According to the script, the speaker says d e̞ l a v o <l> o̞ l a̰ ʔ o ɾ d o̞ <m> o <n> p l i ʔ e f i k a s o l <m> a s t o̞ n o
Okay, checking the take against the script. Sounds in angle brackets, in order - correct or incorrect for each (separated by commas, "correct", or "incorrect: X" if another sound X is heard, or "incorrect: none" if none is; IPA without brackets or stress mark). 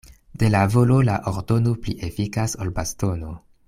correct, incorrect: n, incorrect: none, incorrect: b